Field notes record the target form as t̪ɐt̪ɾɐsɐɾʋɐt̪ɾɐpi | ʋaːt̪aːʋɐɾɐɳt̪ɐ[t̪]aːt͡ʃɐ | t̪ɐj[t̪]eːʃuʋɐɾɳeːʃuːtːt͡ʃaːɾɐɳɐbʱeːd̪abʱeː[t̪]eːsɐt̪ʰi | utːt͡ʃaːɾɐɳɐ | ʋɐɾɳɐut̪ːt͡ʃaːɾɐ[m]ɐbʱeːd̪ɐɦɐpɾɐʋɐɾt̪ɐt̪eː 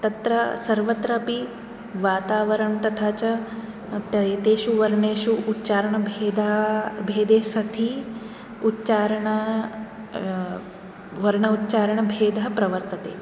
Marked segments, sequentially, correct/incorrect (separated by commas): incorrect, correct, incorrect, incorrect